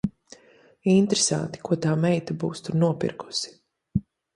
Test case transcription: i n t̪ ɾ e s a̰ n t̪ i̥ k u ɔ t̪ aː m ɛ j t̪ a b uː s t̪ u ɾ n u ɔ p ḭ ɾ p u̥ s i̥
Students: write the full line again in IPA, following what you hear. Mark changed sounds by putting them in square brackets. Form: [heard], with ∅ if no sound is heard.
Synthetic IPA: i n t̪ ɾ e s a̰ n t̪ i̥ k u ɔ t̪ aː m ɛ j t̪ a b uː s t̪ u ɾ n u ɔ p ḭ ɾ [k] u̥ s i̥